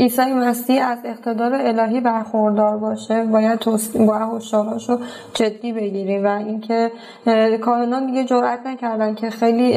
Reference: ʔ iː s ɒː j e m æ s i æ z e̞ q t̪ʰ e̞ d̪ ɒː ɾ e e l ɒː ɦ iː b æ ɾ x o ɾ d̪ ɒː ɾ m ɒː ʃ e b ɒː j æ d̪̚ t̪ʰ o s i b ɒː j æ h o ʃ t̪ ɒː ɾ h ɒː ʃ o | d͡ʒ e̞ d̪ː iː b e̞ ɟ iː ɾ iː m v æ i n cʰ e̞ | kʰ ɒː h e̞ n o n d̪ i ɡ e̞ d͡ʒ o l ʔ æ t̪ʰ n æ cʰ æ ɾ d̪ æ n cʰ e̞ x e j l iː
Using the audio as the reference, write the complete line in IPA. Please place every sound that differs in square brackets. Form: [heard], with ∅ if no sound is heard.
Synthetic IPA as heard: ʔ iː s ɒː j e m æ s i æ z e̞ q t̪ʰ e̞ d̪ ɒː ɾ e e l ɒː ɦ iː b æ ɾ x o ɾ d̪ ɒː ɾ [b] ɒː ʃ e b ɒː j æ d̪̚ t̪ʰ o s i b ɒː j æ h o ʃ t̪ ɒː ɾ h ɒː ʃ o | d͡ʒ e̞ d̪ː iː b e̞ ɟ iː ɾ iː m v æ i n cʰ e̞ | kʰ ɒː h e̞ n [ɒ] n d̪ i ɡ e̞ d͡ʒ o [ɾ] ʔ æ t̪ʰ n æ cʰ æ ɾ d̪ æ n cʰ e̞ x e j l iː